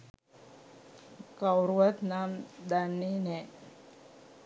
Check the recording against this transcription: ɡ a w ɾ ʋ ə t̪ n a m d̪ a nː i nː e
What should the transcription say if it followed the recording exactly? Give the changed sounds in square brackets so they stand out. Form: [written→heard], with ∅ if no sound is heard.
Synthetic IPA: [ɡ→k] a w ɾ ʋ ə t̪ n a m d̪ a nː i [nː→n] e